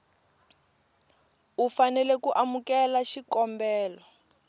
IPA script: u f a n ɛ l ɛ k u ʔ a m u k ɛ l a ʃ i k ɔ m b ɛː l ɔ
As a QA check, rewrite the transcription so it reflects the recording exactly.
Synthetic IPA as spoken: u f a n ɛ l ɛ k u ʔ a m u k ɛ l a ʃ i k ɔ m b ɛː l ɔ